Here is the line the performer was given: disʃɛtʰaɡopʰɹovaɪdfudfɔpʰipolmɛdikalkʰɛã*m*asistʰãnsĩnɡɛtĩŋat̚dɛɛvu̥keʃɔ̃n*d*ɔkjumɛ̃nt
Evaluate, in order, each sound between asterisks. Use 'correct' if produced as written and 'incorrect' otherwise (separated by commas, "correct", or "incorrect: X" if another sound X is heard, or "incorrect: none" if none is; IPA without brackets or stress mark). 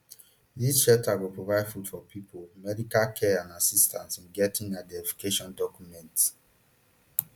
incorrect: n, correct